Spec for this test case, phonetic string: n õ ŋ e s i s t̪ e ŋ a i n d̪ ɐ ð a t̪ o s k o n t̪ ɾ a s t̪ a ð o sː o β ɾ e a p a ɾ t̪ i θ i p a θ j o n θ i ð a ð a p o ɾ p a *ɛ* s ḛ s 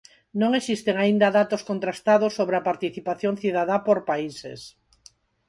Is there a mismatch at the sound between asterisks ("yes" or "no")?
yes